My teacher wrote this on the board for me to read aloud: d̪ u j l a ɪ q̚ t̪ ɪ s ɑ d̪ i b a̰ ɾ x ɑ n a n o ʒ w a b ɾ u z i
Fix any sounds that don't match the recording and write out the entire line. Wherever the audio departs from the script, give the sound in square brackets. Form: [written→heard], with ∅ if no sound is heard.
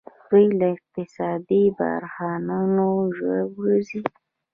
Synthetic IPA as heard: d̪ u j l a ɪ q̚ t̪ ɪ s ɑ d̪ i b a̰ ɾ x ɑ n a n o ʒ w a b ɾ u z i

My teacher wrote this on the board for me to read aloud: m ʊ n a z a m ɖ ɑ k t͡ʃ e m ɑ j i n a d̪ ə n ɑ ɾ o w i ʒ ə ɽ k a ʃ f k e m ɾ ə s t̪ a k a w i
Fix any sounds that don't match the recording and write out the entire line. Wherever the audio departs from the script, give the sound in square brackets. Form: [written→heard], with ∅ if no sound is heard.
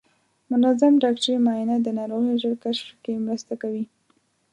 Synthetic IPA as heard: m ʊ n a z a m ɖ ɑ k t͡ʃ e m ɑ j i n a d̪ ə n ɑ ɾ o [w→ɣ] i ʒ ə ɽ k a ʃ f k e m ɾ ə s t̪ a k a w i

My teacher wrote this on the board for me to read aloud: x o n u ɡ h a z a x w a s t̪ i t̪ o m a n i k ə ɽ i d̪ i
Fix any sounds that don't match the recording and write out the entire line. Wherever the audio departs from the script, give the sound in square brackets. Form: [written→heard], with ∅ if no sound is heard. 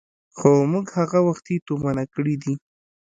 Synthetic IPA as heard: x o [n→m] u ɡ h a [z→ɣ] a [x→∅] w a [s→x] t̪ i t̪ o m a n [i→a] k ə ɽ i d̪ i

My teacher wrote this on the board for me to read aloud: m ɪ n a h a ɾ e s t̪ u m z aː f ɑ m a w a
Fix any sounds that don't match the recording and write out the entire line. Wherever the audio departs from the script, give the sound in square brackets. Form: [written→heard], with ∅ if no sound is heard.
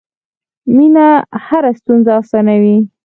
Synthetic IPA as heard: m [ɪ→i] n a h a ɾ [e→a] s t̪ u [m→n] z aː [f→s] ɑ [m→n] a w [a→i]

